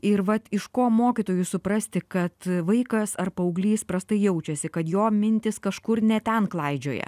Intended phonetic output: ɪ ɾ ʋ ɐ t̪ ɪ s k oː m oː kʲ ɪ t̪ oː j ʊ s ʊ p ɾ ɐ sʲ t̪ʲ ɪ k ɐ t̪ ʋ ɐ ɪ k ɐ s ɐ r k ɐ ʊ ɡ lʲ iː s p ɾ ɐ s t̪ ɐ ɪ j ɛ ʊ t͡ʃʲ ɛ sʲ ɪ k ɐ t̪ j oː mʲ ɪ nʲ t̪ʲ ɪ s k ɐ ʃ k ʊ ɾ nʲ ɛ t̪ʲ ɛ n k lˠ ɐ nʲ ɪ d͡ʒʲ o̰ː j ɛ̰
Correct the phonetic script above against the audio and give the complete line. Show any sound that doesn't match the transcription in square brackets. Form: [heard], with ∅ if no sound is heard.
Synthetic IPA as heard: ɪ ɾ ʋ ɐ t̪ ɪ [ʃ] k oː m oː kʲ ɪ t̪ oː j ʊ s ʊ p ɾ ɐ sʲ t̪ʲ ɪ k ɐ t̪ ʋ ɐ ɪ k ɐ s ɐ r [p] ɐ ʊ ɡ lʲ iː s p ɾ ɐ s t̪ ɐ ɪ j ɛ ʊ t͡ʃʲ ɛ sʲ ɪ k ɐ t̪ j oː mʲ ɪ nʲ t̪ʲ ɪ s k ɐ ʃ k ʊ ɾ nʲ ɛ t̪ʲ ɛ n k lˠ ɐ [∅] ɪ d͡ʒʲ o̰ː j ɛ̰